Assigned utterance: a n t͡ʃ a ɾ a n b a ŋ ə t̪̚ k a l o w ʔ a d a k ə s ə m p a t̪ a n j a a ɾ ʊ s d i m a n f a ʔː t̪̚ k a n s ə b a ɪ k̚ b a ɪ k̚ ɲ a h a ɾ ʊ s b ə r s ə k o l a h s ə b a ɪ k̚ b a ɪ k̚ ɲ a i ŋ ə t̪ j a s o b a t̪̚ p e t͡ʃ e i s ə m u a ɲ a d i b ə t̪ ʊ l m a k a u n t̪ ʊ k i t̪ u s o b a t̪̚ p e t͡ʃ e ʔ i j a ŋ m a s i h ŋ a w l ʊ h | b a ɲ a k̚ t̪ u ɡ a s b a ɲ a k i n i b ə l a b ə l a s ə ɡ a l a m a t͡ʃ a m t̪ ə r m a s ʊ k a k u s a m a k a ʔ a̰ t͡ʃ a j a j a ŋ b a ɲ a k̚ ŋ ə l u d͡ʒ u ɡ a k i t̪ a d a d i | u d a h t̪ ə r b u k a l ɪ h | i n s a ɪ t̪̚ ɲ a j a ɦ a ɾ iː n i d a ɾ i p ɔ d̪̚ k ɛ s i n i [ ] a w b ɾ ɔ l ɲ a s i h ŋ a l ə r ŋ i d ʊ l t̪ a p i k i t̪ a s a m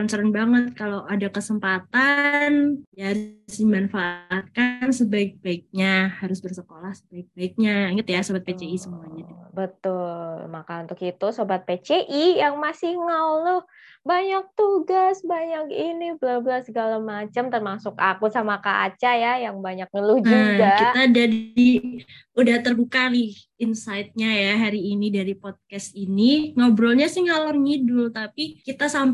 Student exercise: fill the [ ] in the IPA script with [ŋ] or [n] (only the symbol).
ŋ